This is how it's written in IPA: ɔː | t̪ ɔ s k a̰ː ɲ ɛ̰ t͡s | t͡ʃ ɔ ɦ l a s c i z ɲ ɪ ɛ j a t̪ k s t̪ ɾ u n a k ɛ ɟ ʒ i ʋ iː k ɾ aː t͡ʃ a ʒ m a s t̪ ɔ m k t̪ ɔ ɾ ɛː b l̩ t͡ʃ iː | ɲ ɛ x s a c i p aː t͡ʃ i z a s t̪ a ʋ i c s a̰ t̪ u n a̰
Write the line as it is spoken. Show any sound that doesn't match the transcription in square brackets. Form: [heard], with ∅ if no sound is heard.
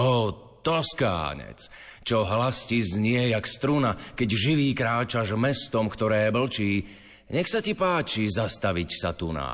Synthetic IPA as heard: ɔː | t̪ ɔ s k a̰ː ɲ ɛ̰ t͡s | t͡ʃ ɔ ɦ l a s c i z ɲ ɪ ɛ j a [∅] k s t̪ ɾ u n a k ɛ ɟ ʒ i ʋ iː k ɾ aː t͡ʃ a ʒ m [ɛ] s t̪ ɔ m k t̪ ɔ ɾ ɛː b l̩ t͡ʃ iː | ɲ ɛ x s a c i p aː t͡ʃ i z a s t̪ a ʋ i c s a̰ t̪ u n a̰